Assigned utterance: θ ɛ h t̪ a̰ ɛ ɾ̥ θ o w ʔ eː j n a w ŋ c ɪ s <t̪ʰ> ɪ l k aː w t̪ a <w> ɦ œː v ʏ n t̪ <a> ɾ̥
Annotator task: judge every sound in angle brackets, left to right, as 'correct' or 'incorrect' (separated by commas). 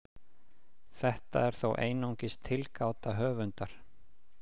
correct, incorrect, correct